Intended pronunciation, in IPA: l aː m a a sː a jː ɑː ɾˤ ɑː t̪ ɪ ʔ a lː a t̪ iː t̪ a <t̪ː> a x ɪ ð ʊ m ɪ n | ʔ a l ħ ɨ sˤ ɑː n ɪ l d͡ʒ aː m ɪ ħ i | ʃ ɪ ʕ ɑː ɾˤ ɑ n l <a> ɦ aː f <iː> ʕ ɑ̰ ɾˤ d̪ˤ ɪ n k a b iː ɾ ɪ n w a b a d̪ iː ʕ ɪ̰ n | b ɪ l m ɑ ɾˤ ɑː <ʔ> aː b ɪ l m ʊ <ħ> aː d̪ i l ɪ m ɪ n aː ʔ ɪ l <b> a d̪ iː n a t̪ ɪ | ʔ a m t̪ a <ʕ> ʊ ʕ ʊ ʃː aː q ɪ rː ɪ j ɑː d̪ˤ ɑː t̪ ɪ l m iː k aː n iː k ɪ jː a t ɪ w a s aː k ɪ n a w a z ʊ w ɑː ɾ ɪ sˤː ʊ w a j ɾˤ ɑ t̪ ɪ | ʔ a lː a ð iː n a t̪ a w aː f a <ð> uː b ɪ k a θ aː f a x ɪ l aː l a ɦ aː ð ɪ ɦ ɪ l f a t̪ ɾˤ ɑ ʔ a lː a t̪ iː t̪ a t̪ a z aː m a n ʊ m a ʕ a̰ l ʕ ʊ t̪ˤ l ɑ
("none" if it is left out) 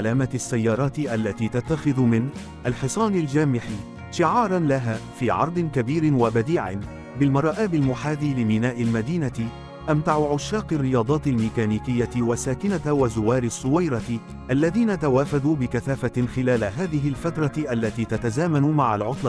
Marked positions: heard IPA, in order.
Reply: t̪ː, a, iː, ʔ, ħ, m, ʕ, ð

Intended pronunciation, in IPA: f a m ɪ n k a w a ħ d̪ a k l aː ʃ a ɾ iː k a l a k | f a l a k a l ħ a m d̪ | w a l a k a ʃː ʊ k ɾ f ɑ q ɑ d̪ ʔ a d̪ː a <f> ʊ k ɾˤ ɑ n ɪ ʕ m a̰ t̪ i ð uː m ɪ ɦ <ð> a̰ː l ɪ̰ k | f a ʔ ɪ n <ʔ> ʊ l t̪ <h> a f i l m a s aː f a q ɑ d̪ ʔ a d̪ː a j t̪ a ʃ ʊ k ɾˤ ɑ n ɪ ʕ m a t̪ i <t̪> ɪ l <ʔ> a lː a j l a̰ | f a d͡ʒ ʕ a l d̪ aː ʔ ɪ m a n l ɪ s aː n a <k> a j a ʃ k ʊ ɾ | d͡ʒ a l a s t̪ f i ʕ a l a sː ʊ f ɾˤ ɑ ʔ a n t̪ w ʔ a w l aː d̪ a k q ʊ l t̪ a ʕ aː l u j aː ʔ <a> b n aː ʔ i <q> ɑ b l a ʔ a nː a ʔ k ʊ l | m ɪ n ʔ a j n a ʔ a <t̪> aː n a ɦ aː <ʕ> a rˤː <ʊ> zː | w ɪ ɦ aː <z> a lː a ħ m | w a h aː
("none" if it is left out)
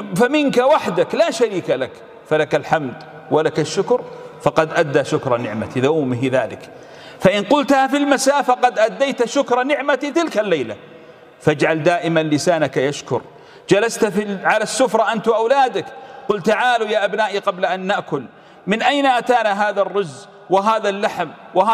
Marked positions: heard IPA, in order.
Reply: ʃ, ð, q, h, t̪, k, k, a, q, t̪, ð, ʊ, ð

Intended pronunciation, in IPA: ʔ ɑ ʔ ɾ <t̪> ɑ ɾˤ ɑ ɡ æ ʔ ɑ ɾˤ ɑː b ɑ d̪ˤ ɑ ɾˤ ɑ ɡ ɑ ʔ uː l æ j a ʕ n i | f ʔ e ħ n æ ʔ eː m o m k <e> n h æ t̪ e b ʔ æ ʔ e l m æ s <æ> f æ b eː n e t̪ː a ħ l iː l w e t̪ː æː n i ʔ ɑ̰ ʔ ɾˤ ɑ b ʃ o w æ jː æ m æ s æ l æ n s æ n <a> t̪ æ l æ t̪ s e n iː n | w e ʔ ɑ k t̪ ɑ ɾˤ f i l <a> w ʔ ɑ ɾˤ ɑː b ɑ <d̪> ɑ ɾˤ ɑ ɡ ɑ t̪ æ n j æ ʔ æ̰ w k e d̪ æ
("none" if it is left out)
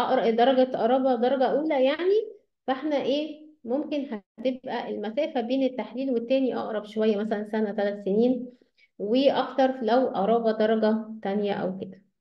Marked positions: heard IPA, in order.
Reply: d̪, e, æː, æ, æ, d̪

